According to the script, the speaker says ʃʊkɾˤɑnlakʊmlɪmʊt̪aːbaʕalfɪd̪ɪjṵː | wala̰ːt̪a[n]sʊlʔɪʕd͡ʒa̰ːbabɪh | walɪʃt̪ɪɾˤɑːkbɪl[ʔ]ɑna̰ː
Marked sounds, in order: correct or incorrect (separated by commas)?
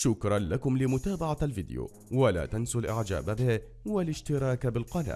correct, incorrect